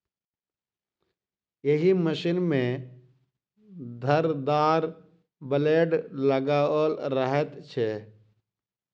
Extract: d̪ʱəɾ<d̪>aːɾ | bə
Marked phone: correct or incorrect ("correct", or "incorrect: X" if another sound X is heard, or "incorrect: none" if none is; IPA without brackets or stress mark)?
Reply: correct